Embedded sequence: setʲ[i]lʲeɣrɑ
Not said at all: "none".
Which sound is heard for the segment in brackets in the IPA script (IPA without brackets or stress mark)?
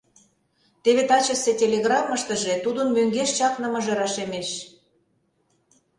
e